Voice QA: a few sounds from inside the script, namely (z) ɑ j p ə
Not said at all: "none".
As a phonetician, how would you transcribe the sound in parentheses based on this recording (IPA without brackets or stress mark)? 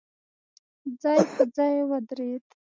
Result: d͡z